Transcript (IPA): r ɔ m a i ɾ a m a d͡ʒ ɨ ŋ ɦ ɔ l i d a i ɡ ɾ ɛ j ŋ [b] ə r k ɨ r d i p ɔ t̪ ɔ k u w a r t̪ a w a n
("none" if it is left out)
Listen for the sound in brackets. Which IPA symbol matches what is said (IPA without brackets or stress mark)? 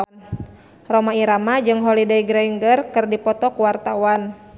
ɡ